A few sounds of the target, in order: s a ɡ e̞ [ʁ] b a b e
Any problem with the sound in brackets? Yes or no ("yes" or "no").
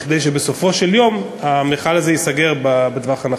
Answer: no